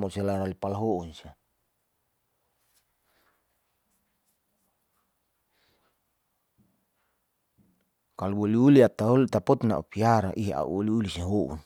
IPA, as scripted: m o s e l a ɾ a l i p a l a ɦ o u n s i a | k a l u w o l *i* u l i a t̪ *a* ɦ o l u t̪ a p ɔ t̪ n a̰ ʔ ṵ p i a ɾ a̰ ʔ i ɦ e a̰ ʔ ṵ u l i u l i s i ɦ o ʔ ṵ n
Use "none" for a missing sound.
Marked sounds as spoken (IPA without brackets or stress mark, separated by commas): i, a